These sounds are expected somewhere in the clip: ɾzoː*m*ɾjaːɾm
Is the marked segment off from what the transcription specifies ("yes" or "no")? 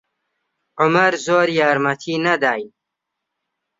yes